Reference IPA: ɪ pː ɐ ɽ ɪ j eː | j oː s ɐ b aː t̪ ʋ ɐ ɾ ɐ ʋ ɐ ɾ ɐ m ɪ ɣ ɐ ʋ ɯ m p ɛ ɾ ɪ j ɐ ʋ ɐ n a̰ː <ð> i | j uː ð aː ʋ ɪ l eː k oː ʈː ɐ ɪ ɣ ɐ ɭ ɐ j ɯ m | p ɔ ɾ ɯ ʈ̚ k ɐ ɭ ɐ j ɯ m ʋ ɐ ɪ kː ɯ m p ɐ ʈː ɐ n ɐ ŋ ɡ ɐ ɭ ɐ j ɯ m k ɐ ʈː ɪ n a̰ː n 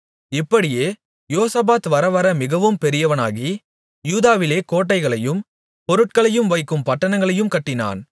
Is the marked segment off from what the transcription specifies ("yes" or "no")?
yes